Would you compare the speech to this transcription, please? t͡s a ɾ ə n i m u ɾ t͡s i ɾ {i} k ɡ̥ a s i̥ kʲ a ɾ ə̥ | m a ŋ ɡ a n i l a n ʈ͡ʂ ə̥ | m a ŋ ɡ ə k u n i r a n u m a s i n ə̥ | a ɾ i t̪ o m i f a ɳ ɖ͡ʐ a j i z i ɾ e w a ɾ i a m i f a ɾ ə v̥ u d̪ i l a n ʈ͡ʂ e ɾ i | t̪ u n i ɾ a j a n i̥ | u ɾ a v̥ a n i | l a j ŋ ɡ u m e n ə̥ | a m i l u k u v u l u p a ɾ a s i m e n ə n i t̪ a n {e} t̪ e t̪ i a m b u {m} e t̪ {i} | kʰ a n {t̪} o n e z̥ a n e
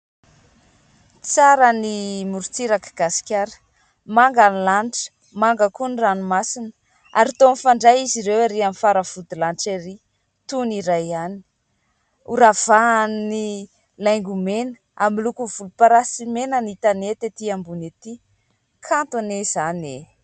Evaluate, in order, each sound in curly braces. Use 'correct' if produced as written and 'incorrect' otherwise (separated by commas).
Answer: incorrect, correct, incorrect, correct, correct